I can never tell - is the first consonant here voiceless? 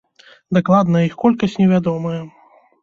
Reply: no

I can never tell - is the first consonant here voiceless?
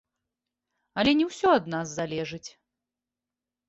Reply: no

